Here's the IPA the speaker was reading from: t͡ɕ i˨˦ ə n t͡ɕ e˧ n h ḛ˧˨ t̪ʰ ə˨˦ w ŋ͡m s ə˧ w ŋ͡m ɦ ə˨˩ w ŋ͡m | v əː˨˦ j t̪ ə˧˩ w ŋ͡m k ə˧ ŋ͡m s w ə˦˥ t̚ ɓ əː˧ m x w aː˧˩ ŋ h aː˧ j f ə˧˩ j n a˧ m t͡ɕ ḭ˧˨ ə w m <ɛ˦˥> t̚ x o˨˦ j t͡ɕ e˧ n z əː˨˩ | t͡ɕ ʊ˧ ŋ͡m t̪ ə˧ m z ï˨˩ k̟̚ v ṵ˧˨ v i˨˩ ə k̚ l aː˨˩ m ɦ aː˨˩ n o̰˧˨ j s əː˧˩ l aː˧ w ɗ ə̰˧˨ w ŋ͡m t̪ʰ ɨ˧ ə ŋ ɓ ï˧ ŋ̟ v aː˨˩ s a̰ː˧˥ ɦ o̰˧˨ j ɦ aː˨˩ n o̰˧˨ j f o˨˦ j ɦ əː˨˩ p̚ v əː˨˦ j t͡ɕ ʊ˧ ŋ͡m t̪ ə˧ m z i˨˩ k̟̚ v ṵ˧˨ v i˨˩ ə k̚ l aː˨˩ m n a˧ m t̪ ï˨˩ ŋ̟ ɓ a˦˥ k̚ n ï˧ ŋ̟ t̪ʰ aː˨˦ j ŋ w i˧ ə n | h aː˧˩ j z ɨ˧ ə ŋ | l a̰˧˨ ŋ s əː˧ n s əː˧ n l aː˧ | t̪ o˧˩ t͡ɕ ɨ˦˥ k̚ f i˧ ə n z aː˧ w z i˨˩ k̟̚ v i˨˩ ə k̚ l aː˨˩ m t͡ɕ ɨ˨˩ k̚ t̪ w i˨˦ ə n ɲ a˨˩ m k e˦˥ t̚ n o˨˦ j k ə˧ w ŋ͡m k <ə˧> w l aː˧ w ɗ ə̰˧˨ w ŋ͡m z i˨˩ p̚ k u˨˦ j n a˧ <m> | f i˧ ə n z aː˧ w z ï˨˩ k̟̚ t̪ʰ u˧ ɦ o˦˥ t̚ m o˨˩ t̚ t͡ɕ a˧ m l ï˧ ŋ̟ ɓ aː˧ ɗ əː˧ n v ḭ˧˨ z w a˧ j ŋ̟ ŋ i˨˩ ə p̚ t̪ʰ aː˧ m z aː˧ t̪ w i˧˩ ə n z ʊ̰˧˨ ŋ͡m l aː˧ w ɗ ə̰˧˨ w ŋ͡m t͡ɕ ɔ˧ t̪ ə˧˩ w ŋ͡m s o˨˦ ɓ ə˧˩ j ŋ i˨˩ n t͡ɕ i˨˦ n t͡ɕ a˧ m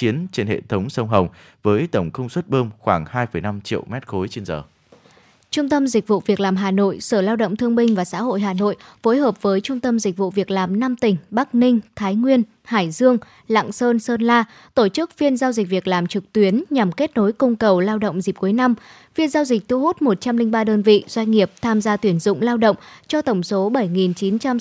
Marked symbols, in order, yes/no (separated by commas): yes, no, yes